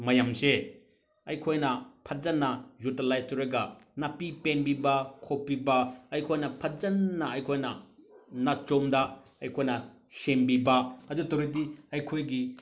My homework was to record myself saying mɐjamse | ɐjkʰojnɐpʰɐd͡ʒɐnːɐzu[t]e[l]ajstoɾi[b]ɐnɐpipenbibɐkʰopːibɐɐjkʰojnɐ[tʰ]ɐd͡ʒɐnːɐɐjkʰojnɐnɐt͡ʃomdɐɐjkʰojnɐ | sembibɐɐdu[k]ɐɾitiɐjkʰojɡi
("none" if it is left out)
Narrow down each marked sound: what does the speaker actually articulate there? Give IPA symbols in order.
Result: t, l, ɡ, pʰ, t

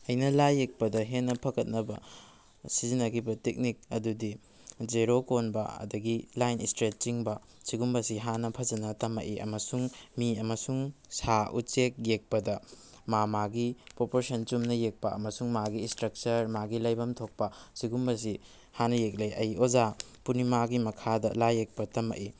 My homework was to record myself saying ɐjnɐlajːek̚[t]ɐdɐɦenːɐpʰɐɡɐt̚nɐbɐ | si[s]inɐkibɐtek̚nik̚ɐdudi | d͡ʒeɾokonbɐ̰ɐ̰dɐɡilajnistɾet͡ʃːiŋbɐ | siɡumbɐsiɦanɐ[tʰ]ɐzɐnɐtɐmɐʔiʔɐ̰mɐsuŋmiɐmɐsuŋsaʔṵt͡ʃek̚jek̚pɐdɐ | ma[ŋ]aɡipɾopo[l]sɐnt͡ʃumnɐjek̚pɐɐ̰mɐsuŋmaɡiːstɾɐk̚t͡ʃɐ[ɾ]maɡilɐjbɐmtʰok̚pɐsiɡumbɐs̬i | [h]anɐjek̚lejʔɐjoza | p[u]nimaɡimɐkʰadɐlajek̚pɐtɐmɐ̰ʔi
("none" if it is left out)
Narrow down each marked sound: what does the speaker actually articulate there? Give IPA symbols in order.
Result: p, z, pʰ, m, ɾ, ɾ, h, u

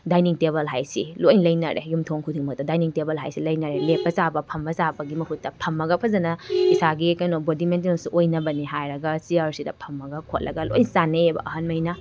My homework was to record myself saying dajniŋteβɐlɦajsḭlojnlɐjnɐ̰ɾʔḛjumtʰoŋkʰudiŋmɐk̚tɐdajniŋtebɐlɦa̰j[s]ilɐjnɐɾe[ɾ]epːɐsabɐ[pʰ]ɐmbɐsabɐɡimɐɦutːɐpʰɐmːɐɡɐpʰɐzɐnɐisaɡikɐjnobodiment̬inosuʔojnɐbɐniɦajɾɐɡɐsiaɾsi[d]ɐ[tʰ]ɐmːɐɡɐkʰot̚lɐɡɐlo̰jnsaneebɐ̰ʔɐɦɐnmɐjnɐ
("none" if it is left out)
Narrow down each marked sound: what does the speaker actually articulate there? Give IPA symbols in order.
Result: s, l, pʰ, d, pʰ

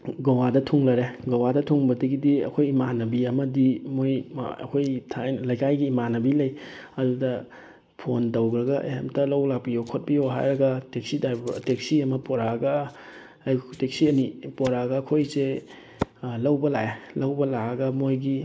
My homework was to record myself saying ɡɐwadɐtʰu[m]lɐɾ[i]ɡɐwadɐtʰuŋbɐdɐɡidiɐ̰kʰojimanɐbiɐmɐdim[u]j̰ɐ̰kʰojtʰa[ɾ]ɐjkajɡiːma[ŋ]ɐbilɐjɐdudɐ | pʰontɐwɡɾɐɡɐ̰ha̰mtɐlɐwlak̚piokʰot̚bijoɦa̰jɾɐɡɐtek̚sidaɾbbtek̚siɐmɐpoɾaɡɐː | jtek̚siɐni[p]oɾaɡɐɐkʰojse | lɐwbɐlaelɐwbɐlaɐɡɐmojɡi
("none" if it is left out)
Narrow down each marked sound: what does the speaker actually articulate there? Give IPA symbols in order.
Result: ŋ, e, o, l, n, p

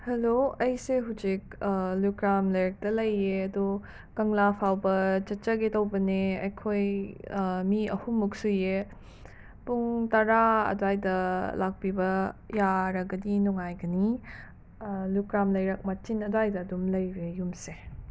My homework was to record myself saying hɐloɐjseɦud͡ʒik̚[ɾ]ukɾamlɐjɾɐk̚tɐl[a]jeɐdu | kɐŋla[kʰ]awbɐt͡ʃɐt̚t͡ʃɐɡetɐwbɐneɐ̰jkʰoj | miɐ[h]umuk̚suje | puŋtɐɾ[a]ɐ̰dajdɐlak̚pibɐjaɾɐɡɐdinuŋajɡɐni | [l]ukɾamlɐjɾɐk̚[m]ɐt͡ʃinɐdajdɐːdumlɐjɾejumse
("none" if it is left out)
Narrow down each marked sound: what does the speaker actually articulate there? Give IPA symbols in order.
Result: l, ɐ, pʰ, h, a, l, m

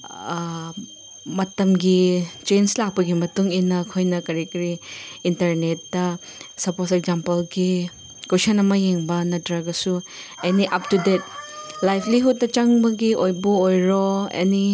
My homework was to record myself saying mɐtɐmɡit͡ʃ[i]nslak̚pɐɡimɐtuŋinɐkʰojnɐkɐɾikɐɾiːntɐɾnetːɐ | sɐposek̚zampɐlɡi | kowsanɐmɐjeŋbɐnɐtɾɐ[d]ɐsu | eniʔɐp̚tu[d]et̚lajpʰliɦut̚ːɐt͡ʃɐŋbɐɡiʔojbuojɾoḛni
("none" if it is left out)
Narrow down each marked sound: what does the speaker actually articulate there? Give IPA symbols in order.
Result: e, ɡ, d

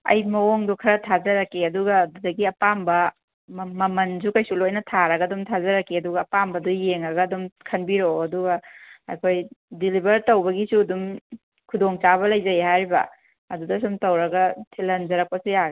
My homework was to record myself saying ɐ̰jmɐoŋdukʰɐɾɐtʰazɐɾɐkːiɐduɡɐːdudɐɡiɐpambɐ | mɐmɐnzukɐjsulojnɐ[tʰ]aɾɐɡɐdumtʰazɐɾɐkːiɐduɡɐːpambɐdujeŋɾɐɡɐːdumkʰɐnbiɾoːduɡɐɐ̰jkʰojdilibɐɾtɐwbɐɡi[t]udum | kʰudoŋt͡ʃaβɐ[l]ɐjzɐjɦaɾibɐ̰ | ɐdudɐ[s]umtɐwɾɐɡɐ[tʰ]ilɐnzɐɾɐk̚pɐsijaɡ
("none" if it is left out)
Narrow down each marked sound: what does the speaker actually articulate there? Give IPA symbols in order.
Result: tʰ, s, l, s, tʰ

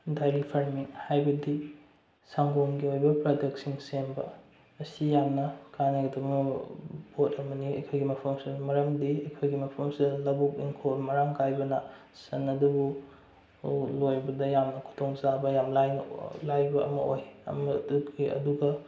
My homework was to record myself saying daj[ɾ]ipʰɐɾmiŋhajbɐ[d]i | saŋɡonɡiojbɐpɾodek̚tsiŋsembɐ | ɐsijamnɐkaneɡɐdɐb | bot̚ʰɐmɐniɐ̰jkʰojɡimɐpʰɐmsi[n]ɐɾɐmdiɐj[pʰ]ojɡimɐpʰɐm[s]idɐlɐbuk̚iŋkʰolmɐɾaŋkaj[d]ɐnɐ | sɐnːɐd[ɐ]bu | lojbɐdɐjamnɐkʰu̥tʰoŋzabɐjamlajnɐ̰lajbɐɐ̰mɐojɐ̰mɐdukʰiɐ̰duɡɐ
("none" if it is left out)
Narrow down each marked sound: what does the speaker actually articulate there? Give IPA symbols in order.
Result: ɾ, d, m, kʰ, s, b, ɐ

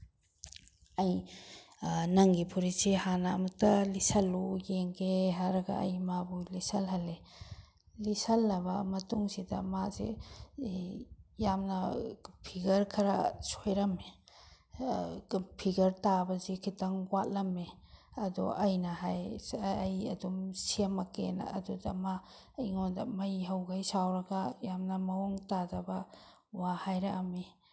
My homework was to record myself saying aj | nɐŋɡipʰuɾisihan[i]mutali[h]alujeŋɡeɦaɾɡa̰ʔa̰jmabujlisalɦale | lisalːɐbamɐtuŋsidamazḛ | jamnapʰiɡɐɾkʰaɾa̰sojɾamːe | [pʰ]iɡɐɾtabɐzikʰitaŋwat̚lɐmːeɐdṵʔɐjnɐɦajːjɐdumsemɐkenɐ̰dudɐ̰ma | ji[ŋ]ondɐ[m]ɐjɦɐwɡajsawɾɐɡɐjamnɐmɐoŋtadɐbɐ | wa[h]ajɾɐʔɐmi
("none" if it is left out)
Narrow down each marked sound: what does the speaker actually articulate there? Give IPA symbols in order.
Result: a, s, pʰ, ŋ, m, h

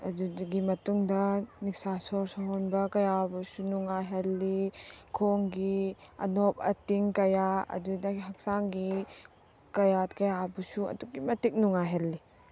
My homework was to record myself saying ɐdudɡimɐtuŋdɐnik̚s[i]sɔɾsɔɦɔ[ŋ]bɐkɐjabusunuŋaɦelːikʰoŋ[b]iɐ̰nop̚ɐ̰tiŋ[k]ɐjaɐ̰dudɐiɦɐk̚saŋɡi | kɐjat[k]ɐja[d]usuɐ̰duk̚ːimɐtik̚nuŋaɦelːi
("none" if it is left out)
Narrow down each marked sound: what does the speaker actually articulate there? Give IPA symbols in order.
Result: a, n, ɡ, k, k, b

